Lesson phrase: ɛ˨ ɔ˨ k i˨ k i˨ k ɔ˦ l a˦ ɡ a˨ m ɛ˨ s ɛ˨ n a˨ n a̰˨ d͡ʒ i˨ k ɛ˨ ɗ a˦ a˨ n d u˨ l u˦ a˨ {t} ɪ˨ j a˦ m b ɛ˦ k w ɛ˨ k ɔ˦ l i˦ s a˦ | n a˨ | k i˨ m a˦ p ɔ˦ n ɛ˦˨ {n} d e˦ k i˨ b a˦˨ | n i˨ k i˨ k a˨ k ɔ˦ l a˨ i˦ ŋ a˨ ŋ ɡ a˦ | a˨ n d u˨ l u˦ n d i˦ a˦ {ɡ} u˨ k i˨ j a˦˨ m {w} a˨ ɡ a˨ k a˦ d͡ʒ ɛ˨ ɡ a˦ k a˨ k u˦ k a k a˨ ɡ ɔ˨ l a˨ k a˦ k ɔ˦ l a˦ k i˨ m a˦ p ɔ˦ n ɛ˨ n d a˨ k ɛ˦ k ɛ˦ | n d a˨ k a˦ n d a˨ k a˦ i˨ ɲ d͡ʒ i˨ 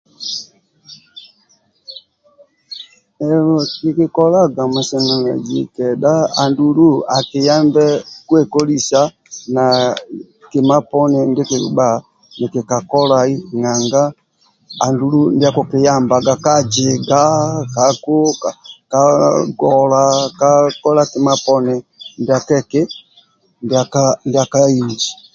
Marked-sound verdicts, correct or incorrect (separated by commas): incorrect, correct, incorrect, incorrect